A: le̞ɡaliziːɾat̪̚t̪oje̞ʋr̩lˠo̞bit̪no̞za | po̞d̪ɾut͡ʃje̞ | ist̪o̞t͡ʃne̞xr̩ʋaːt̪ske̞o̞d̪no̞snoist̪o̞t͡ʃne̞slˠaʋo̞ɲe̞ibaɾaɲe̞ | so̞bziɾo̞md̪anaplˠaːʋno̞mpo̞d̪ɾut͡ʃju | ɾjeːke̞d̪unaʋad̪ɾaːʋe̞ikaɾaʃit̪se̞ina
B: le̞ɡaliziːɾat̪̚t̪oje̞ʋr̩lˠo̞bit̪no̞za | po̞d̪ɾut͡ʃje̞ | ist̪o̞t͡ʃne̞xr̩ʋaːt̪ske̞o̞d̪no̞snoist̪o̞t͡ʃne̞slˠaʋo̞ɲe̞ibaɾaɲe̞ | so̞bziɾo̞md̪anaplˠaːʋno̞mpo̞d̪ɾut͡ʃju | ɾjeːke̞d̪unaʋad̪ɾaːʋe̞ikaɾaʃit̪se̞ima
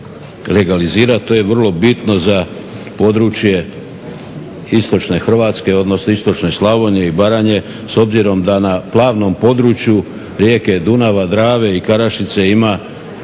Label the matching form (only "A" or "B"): B